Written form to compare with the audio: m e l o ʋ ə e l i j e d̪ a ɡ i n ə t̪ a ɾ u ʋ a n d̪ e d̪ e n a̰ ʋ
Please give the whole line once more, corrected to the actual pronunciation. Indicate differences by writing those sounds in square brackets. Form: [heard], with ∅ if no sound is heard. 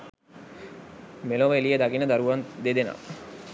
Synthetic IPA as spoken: m e l o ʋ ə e l i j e d̪ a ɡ i n ə [d̪] a ɾ u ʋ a n d̪ e d̪ e n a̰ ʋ